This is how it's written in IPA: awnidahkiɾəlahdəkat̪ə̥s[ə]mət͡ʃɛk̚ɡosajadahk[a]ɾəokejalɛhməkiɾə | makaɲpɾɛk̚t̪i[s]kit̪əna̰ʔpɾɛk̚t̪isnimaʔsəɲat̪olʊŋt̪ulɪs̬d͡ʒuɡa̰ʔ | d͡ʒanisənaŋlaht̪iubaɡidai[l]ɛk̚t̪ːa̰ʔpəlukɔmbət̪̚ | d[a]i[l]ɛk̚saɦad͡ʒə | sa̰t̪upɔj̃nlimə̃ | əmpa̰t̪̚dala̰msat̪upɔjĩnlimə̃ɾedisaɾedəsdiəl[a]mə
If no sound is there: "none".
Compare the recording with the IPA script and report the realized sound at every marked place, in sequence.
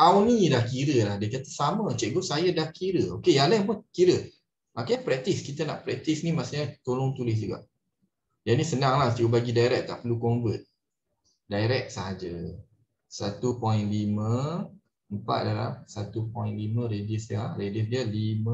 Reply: a, i, s, ɾ, a, ɾ, i

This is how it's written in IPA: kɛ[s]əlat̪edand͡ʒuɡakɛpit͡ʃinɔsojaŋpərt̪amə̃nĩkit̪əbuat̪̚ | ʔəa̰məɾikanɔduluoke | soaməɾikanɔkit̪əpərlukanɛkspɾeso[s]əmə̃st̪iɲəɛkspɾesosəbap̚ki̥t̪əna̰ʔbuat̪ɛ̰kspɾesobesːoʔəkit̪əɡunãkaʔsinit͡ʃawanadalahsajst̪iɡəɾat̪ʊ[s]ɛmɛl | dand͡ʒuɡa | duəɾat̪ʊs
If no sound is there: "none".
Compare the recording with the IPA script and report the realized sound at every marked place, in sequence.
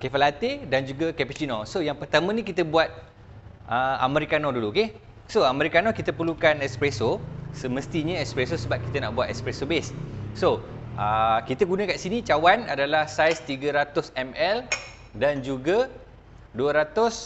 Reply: f, s, s

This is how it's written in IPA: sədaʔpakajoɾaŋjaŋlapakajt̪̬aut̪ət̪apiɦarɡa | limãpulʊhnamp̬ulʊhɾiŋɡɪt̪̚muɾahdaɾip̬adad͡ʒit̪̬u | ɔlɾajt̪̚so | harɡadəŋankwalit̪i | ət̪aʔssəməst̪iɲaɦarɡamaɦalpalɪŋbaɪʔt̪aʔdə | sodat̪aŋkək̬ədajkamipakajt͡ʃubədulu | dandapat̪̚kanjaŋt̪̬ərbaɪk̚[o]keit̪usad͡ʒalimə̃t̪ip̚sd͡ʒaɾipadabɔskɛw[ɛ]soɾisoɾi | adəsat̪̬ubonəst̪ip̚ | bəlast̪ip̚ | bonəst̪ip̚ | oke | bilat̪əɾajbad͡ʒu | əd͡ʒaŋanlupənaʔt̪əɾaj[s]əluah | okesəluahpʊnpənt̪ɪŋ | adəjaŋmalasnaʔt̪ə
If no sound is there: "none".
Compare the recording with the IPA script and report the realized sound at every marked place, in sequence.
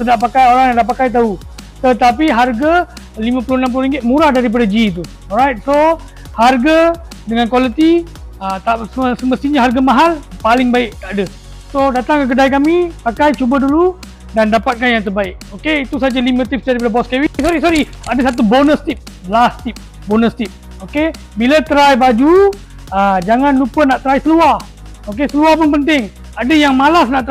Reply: o, i, s

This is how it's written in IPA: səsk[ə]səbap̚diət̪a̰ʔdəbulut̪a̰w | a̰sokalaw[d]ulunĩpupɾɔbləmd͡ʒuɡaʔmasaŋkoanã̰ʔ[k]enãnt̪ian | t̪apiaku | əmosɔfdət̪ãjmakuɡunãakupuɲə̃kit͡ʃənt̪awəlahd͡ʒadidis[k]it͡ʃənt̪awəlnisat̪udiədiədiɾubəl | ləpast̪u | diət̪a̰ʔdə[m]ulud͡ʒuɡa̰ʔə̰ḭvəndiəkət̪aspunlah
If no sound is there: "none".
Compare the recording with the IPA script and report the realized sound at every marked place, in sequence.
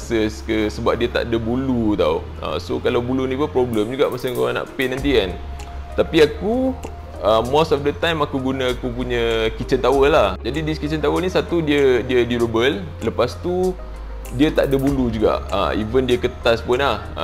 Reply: ə, b, p, k, b

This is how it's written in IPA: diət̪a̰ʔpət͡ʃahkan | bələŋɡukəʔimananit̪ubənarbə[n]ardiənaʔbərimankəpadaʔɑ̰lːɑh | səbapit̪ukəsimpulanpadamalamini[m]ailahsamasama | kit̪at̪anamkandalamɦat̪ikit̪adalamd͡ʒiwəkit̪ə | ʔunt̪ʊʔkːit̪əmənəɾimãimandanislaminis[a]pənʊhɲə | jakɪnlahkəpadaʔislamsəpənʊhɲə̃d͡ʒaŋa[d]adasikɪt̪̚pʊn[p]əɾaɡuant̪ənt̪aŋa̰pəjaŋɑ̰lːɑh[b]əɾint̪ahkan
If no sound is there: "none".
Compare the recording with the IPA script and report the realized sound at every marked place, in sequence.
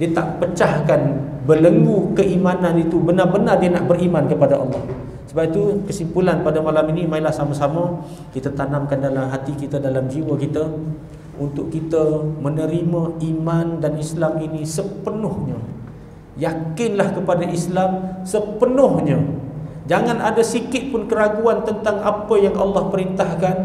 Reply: n, m, ə, n, k, p

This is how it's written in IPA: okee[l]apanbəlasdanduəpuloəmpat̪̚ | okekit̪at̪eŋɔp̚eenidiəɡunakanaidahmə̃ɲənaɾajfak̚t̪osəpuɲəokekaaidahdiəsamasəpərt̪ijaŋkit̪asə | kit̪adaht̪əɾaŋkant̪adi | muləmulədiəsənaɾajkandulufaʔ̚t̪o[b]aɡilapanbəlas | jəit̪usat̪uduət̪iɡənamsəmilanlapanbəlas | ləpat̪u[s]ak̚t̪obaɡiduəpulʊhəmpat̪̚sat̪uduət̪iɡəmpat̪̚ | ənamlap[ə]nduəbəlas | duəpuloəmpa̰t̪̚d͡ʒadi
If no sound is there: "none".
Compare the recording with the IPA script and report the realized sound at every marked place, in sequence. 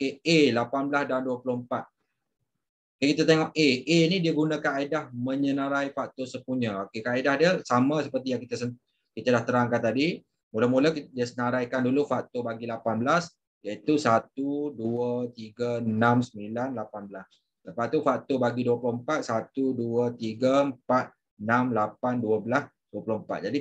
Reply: l, b, f, a

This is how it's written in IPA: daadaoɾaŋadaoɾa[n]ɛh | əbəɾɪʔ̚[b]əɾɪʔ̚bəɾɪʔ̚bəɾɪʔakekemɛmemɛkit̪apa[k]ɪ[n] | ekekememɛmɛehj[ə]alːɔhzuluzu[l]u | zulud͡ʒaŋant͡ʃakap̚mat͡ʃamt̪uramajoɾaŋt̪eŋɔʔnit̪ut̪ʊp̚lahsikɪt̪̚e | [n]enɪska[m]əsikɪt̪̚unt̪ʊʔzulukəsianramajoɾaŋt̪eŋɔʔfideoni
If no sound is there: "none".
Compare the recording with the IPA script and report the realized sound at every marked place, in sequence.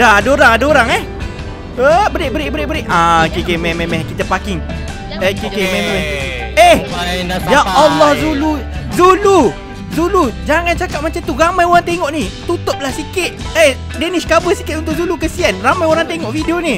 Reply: ŋ, b, k, ŋ, a, l, d, b

